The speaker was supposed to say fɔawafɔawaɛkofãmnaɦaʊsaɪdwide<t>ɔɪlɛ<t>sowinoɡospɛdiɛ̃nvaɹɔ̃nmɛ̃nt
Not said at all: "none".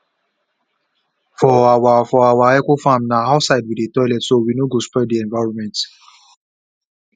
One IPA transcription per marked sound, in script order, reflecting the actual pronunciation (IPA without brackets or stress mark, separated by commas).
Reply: t, t